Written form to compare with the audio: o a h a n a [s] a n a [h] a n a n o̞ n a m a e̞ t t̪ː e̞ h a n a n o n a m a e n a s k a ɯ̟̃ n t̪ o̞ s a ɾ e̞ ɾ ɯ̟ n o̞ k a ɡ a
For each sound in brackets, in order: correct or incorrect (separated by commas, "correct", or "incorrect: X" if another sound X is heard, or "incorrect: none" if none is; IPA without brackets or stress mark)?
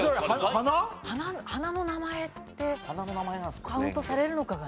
incorrect: h, correct